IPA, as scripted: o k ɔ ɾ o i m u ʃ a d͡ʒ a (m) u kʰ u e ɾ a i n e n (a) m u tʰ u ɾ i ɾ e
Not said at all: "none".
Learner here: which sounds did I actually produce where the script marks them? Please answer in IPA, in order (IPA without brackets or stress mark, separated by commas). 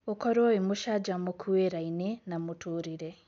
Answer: m, a